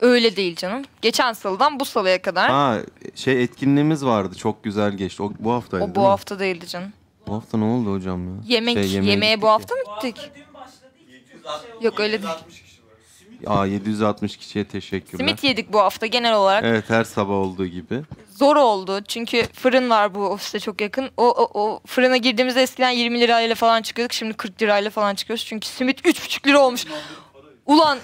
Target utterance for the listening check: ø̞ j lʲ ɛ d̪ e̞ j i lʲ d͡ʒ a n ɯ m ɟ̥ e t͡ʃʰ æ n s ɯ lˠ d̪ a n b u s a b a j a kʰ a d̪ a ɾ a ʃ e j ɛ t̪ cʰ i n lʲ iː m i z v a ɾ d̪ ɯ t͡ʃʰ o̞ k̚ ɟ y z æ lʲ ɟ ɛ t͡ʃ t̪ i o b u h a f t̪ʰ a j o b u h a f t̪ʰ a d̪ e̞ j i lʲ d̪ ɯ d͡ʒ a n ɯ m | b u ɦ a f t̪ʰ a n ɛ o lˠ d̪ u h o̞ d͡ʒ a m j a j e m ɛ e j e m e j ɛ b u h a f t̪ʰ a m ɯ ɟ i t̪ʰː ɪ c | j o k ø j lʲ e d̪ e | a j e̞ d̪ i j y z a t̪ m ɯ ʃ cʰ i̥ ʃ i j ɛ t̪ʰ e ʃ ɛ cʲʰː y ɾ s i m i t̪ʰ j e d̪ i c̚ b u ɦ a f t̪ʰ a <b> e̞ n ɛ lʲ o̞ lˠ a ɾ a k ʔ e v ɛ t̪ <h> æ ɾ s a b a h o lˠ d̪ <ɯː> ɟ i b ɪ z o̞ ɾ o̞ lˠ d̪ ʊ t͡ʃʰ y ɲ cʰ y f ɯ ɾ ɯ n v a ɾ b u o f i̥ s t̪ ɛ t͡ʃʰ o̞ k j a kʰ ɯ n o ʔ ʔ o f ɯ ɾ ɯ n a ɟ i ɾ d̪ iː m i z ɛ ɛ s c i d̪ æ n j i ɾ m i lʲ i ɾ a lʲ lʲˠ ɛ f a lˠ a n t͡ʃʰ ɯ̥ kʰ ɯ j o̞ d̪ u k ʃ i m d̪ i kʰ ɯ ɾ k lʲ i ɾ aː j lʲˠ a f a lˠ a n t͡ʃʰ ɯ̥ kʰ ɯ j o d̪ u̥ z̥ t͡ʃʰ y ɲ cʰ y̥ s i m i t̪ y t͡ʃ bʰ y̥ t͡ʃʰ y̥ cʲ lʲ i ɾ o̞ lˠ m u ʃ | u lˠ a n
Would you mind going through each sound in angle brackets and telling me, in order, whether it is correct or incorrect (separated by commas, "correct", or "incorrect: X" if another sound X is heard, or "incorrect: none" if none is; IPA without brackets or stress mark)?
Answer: incorrect: ɟ, correct, incorrect: uː